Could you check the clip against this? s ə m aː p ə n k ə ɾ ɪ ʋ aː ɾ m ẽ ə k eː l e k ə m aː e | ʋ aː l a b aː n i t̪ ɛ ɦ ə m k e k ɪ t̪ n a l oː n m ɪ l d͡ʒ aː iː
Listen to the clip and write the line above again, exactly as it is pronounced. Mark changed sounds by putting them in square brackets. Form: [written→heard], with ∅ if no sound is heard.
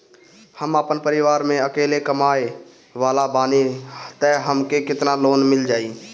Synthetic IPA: [s→h] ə m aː p ə n [k→p] ə ɾ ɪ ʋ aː ɾ m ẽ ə k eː l e k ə m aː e | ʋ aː l a b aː n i t̪ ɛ ɦ ə m k e k ɪ t̪ n a l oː n m ɪ l d͡ʒ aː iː